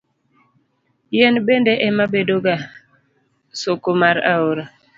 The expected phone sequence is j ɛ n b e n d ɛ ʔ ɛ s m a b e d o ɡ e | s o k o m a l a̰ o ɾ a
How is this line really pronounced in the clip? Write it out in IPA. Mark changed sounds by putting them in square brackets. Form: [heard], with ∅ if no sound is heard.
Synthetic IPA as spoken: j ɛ n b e n d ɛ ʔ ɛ [∅] m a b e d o ɡ [a] | s o k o m a [ɾ] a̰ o ɾ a